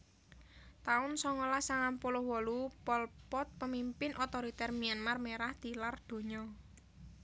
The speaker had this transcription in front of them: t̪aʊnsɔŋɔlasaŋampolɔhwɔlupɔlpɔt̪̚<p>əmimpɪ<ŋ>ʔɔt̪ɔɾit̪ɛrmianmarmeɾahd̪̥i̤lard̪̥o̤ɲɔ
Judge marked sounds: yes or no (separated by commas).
yes, no